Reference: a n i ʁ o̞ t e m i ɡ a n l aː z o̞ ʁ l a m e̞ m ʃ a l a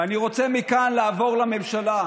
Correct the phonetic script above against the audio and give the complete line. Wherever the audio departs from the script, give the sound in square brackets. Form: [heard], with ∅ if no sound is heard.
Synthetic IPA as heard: a n i ʁ o̞ [t͡s] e m i [k] a n l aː [v] o̞ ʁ l a m e̞ m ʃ a l a